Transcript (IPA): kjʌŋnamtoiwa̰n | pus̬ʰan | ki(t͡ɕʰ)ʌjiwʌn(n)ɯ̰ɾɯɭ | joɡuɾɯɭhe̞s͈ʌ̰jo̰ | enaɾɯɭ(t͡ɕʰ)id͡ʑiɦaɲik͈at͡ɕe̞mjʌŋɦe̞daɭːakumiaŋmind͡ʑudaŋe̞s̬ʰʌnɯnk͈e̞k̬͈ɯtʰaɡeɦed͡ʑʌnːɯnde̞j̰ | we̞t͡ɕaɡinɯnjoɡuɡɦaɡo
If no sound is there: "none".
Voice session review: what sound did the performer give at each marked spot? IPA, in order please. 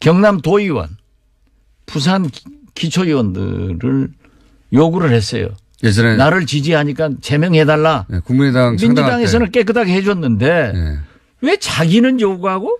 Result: t͡ɕʰ, d, t͡ɕ

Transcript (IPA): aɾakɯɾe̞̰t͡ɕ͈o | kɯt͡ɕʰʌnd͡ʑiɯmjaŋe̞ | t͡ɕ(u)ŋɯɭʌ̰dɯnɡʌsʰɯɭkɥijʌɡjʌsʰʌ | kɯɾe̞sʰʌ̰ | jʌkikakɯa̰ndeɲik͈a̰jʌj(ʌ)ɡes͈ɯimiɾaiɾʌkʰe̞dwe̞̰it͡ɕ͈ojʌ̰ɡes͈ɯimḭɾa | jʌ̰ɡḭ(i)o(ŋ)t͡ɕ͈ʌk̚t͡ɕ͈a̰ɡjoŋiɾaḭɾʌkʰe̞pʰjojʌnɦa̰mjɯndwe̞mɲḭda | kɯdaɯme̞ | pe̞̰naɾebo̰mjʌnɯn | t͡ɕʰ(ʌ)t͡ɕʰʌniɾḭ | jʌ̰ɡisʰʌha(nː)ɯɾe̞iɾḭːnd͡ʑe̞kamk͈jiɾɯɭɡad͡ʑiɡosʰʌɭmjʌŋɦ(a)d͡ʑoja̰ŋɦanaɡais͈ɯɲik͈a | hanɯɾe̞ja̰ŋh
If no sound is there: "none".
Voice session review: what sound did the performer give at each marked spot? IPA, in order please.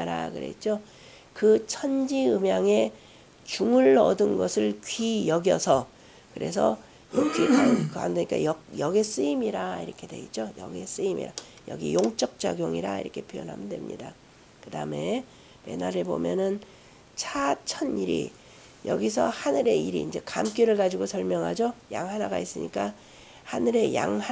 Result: u, ʌ, j, ŋ, a, n, a

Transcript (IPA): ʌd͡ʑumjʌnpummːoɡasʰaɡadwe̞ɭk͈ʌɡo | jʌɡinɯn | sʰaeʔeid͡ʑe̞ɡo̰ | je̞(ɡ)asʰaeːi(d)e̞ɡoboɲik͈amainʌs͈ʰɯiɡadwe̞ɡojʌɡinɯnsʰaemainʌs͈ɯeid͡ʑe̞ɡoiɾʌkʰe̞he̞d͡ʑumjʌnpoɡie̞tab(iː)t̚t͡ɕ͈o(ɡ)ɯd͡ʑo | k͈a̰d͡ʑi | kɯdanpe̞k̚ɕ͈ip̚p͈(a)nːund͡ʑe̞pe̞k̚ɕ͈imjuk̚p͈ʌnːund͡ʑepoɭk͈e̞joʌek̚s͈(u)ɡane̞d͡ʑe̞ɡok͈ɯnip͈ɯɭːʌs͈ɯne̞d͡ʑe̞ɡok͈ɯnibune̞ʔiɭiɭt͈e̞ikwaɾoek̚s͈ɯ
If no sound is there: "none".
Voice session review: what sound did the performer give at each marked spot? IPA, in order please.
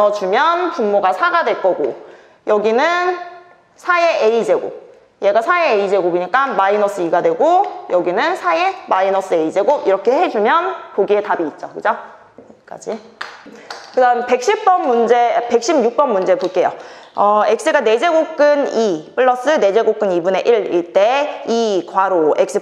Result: ɡ, d͡ʑ, iː, k, ʌ, ɯ

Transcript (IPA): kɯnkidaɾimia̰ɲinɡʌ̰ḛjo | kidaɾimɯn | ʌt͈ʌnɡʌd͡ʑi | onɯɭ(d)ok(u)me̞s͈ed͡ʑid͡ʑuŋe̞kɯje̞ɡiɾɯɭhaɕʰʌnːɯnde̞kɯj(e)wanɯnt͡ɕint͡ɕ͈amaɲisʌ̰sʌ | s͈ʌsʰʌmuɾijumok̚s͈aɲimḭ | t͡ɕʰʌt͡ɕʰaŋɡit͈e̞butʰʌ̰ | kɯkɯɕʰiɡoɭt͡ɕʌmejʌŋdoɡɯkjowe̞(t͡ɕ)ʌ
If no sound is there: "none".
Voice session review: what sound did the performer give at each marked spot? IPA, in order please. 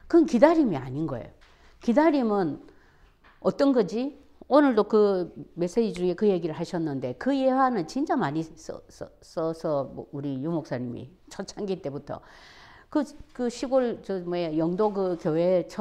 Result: d, ɯ, e, t͡ɕʰ

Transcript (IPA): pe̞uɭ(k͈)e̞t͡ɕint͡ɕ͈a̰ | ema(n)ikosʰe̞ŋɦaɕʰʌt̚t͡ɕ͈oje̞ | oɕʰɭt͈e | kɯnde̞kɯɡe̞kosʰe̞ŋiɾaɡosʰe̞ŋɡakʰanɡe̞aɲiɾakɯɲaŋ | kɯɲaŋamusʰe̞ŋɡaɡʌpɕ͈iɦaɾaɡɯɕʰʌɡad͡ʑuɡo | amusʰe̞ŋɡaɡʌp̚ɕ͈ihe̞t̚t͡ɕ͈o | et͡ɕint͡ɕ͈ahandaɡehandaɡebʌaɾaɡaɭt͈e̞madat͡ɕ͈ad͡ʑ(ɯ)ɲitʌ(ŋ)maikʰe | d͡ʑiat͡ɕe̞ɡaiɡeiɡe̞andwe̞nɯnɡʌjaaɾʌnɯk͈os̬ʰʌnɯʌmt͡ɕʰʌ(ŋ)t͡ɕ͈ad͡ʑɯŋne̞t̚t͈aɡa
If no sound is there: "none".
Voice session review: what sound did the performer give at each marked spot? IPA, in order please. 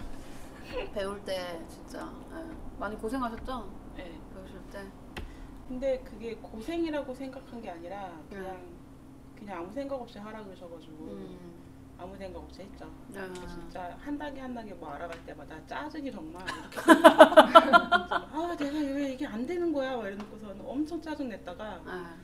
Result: t͈, ɲ, ɯ, ŋ, ŋ

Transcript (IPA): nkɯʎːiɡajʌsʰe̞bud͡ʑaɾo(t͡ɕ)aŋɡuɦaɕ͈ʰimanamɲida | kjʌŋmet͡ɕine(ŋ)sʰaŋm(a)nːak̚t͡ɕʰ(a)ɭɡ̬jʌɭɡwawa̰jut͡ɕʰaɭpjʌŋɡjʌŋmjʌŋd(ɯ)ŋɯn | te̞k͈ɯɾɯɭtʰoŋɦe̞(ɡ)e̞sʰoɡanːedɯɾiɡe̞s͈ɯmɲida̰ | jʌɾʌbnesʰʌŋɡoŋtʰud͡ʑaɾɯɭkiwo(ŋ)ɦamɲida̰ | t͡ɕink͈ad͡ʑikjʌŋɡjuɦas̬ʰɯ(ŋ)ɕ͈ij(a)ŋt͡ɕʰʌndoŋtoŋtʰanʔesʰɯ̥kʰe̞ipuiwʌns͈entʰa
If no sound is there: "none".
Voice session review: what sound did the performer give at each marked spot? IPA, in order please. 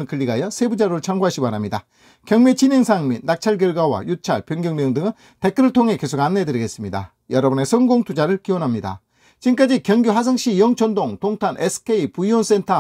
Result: t͡ɕʰ, ŋ, i, a, ɯ, k, n, ŋ, ʌ

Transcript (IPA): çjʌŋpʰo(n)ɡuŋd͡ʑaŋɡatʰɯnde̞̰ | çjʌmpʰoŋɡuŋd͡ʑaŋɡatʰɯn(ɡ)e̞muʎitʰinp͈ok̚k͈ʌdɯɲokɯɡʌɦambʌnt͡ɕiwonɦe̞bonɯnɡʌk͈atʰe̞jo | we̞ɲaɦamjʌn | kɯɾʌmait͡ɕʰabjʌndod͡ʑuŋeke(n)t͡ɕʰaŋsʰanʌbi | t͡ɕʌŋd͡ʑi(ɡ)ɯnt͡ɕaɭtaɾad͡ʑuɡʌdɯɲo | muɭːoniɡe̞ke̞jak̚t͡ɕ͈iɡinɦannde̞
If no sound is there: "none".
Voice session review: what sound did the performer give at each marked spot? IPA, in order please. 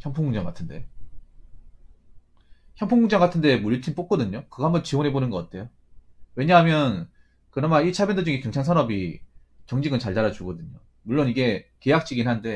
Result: ŋ, d, ŋ, ɡ

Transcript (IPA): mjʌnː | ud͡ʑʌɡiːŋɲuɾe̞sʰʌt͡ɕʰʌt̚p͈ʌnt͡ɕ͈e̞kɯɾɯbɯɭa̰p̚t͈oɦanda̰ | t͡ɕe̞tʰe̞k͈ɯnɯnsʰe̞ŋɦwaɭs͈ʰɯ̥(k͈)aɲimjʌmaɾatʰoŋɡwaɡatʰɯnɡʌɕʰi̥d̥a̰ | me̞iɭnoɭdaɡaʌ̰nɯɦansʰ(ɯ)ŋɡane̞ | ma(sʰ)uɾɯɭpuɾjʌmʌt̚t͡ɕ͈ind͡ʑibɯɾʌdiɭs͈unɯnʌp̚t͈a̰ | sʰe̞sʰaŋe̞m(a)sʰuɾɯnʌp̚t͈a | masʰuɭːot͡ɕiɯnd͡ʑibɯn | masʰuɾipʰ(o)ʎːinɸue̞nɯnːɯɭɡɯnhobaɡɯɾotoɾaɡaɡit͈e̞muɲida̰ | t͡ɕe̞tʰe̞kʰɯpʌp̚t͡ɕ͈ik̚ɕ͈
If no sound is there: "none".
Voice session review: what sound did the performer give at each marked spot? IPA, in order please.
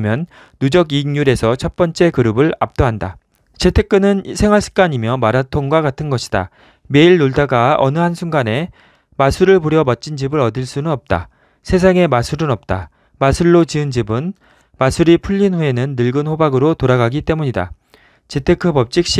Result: k͈, u, sʰ, a, u

